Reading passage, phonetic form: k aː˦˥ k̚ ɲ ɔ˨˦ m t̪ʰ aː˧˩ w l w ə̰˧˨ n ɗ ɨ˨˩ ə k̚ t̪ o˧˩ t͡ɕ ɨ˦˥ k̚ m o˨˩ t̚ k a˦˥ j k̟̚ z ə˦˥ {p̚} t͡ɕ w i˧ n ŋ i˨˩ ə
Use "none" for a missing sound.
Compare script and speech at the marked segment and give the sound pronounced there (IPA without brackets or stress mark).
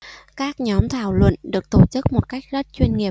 t̚